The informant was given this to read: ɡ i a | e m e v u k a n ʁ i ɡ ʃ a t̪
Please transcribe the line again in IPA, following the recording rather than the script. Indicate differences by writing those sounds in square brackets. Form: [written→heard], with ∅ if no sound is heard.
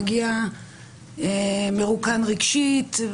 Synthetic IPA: ɡ i a | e m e [v→ʁ] u k a n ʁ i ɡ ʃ [a→i] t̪

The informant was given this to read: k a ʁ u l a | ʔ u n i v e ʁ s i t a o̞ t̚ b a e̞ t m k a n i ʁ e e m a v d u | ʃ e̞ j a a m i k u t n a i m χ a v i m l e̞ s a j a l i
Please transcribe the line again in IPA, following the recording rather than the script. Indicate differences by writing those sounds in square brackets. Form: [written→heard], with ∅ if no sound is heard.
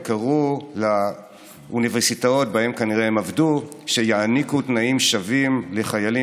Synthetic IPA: k a ʁ u l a | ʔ u n i v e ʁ s i t a o̞ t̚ b a e̞ [t→∅] m k a n i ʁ e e m a v d u | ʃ e̞ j a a [m→n] i k u t n a i m [χ→ʃ] a v i m l e̞ [s→χ] a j a l i

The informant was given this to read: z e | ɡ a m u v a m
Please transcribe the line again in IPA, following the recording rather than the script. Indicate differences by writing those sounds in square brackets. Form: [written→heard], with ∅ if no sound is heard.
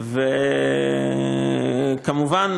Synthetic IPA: [z→v] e | [ɡ→k] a m u v a [m→n]

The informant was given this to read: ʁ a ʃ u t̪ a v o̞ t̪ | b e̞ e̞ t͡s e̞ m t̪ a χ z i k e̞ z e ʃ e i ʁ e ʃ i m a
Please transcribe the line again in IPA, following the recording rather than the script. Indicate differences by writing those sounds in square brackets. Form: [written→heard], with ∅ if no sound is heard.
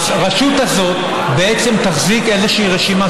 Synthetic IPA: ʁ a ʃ u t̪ a [v→z] o̞ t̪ | b e̞ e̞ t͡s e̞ m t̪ a χ z i k e̞ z e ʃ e i ʁ e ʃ i m a

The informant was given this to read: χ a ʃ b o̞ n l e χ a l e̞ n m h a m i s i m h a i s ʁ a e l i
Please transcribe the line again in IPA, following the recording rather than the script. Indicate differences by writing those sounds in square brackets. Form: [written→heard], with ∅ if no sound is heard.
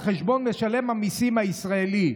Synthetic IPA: χ [a→e] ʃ b o̞ n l e [χ→ʃ] a l e̞ [n→∅] m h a m i s i m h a i s ʁ a e l i

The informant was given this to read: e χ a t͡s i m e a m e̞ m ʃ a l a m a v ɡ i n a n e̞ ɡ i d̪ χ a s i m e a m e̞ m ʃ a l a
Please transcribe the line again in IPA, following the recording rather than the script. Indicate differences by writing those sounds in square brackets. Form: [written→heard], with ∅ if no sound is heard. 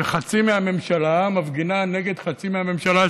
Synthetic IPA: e χ a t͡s i m e a m e̞ m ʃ a l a m a v ɡ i n a n e̞ ɡ [i→e] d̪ χ a [s→t͡s] i m e a m e̞ m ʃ a l a

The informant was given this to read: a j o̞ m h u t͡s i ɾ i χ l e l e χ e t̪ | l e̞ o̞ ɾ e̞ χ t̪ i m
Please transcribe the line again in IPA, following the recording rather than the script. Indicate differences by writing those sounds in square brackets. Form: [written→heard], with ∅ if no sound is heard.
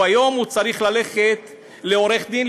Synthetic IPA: a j o̞ m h u t͡s [i→a] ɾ i χ l [e→a] l e χ e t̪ | l e̞ o̞ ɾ e̞ χ [t̪→d̪] i [m→n]

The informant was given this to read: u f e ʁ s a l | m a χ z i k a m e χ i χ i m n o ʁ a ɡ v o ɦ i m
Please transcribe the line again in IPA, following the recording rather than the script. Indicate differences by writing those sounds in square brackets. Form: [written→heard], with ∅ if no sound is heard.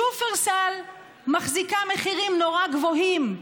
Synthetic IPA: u f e ʁ s a l | m a χ z i k a m e χ i [χ→ʁ] i m n o ʁ a ɡ v o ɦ i m

